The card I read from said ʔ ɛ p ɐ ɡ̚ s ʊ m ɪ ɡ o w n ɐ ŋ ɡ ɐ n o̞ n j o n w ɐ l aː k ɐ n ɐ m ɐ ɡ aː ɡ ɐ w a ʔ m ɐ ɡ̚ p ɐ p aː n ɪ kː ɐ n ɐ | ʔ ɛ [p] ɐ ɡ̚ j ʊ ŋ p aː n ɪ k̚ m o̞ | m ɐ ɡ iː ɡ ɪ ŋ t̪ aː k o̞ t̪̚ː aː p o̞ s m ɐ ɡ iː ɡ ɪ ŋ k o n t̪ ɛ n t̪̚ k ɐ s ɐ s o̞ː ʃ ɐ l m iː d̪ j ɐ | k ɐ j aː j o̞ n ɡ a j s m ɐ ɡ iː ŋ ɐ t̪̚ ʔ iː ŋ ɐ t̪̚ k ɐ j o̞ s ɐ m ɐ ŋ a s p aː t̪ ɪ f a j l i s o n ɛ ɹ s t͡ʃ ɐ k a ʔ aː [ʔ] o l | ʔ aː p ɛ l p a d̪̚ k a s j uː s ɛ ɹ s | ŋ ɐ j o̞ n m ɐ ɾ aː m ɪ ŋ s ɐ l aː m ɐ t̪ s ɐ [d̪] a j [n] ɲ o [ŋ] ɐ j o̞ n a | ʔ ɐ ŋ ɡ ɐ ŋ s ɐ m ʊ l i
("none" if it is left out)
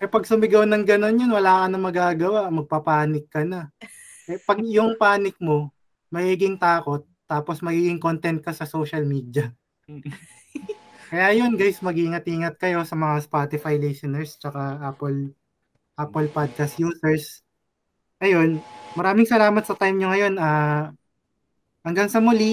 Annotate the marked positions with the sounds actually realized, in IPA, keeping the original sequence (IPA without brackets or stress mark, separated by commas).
p, p, t̪, m, ŋ